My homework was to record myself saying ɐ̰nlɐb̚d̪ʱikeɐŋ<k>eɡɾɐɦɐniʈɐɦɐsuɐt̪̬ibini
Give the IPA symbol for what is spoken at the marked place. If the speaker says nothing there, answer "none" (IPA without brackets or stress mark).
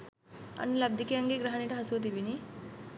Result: ɡ